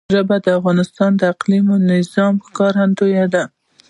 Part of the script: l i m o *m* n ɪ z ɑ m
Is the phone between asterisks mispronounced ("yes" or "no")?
yes